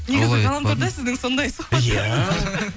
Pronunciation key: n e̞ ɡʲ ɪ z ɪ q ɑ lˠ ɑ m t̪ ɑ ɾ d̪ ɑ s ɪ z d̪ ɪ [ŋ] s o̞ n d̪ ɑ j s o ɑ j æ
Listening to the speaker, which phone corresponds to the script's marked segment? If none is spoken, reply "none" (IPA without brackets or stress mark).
ŋ